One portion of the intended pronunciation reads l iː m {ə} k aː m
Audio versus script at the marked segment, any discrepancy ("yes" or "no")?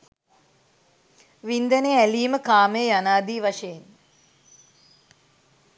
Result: no